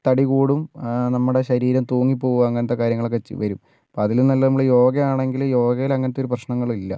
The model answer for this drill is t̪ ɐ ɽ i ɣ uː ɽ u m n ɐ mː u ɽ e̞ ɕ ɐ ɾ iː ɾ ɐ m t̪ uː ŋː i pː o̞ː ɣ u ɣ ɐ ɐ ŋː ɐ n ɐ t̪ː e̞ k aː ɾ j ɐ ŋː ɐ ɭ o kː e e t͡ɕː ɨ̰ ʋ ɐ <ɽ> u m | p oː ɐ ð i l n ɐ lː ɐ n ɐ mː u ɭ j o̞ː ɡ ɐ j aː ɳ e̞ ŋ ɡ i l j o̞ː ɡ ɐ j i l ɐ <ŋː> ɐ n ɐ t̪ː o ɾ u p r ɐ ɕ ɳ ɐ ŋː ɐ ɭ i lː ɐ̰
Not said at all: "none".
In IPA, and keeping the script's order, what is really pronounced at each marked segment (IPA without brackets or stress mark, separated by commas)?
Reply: ɾ, ŋː